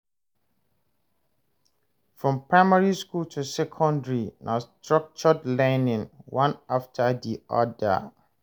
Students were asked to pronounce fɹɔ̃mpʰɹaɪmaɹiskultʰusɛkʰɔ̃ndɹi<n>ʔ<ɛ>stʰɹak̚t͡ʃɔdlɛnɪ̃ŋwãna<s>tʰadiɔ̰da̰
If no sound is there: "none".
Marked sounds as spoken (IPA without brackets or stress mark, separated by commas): n, a, f